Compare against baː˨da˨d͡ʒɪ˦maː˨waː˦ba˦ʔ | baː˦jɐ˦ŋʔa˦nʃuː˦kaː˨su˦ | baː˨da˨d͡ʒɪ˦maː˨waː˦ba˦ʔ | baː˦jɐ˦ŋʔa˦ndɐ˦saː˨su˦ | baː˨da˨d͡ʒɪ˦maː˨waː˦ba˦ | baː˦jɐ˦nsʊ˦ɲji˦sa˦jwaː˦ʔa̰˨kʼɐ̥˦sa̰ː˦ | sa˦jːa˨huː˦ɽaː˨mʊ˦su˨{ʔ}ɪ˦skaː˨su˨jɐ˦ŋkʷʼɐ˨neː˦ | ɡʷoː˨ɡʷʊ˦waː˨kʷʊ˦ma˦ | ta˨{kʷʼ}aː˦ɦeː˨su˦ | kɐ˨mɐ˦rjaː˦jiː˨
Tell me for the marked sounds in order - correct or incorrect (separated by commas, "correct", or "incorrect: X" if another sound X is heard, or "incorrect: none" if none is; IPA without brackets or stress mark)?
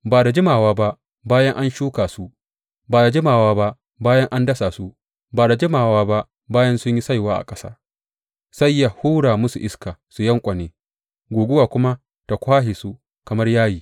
correct, incorrect: kʷ